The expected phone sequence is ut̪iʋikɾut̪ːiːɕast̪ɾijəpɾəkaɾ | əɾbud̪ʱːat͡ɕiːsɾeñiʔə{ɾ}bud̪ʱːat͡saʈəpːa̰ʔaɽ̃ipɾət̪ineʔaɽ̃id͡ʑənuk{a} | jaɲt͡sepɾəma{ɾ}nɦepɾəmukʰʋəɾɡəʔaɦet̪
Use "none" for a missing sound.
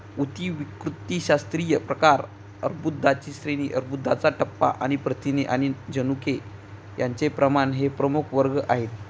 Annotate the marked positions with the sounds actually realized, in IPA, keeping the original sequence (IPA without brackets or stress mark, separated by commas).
ɾ, e, none